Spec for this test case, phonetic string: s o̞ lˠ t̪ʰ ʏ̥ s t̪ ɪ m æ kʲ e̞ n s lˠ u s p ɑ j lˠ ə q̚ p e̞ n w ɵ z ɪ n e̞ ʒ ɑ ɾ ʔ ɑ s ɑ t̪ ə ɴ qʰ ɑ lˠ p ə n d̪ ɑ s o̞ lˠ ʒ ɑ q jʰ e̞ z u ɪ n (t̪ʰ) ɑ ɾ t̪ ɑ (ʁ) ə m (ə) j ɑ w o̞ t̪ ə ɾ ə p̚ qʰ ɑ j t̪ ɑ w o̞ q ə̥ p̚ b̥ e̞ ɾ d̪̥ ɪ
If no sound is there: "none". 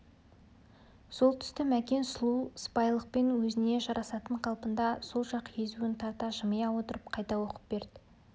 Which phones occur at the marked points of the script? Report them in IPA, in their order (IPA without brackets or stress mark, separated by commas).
t̪ʰ, ʒ, ə